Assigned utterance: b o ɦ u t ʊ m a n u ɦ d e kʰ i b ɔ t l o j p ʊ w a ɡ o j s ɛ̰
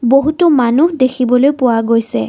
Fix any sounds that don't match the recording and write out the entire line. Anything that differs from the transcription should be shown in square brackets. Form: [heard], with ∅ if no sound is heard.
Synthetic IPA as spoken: b o ɦ u t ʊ m a n u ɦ d e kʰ i b ɔ [∅] l o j p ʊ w a ɡ o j s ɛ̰